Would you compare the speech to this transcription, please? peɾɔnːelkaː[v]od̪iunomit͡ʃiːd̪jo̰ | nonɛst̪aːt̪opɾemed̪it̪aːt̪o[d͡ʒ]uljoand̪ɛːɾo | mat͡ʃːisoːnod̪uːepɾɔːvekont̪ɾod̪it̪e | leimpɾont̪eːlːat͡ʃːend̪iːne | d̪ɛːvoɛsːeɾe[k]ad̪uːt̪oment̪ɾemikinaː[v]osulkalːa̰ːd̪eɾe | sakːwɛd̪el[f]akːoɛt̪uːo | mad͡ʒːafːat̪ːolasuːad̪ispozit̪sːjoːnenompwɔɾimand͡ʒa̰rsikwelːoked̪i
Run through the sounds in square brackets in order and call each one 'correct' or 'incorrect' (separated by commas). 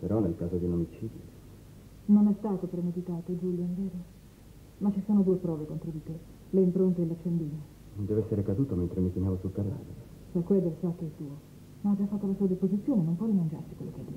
incorrect, correct, correct, correct, incorrect